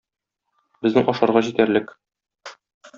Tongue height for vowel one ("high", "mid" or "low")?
mid